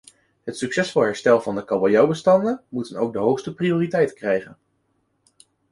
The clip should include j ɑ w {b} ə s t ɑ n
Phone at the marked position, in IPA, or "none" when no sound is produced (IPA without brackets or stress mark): b